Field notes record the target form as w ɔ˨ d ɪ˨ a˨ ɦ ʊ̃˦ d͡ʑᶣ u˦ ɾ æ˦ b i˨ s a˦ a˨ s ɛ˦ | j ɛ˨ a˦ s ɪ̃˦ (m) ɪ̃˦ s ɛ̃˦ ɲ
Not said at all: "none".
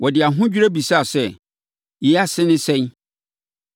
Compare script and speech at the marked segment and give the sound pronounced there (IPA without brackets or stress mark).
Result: n